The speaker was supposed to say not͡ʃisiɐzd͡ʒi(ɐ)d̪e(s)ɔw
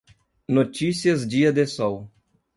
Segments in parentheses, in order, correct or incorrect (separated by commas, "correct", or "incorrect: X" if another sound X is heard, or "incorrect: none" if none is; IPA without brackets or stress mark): correct, correct